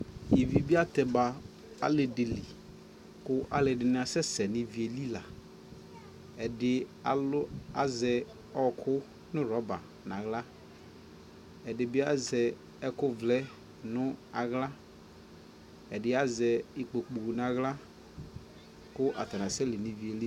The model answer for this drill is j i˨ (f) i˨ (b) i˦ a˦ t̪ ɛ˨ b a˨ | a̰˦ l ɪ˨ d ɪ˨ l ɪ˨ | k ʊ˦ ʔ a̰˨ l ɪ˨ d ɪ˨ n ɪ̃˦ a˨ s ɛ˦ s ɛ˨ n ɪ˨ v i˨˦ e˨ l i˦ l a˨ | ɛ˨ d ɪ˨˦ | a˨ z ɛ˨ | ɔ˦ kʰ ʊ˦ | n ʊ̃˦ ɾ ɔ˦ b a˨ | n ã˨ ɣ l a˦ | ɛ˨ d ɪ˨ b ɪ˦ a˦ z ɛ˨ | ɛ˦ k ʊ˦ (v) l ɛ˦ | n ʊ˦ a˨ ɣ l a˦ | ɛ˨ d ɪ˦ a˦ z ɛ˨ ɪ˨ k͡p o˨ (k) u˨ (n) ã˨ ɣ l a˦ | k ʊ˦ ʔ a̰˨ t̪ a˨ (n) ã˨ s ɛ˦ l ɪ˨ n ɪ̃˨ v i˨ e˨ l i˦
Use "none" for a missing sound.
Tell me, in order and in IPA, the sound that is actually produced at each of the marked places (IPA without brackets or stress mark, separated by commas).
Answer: v, b, v, k͡p, n, n